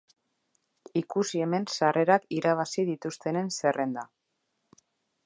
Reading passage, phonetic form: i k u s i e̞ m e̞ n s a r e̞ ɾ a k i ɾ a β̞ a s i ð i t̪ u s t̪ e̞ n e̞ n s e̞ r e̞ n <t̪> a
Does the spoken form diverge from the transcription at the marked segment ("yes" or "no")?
yes